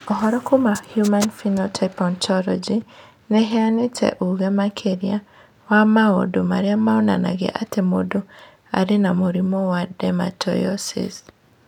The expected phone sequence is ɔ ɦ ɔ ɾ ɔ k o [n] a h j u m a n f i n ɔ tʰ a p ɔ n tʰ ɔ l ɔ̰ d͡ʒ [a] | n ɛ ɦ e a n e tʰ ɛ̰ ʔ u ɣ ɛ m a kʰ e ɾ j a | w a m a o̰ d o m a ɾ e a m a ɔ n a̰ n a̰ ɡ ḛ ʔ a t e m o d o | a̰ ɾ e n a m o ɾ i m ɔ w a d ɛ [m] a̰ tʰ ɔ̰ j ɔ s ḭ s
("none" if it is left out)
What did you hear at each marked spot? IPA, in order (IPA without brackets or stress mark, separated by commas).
m, i, m